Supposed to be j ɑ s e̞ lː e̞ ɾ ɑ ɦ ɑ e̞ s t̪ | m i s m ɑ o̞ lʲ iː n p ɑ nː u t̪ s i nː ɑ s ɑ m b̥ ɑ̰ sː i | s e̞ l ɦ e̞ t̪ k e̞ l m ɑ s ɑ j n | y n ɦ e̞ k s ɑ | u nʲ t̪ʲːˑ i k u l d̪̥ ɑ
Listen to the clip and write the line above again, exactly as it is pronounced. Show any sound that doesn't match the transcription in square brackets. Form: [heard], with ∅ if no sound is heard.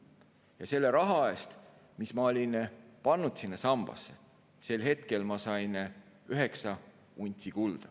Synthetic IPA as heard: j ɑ s e̞ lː e̞ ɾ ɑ ɦ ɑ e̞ s t̪ | m i s m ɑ o̞ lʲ [i] n p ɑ nː u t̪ s i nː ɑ s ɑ m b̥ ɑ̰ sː [e] | s e̞ l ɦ e̞ t̪ k e̞ l m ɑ s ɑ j n | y [∅] ɦ e̞ k s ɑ | u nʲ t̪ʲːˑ i k u l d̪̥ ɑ